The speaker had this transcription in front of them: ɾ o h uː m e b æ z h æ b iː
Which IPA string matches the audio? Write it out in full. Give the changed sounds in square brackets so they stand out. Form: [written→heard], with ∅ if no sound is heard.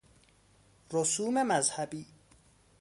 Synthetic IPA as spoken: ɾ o [h→s] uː m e [b→m] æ z h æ b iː